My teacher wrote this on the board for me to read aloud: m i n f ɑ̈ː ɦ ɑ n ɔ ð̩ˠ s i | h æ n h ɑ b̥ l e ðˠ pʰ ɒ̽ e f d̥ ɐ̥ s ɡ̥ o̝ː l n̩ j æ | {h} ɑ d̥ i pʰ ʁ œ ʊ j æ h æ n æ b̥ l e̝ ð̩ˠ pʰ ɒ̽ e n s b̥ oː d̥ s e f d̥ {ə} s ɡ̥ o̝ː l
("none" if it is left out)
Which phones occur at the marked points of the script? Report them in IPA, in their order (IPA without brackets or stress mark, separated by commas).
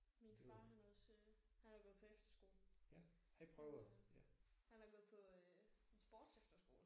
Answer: h, ɐ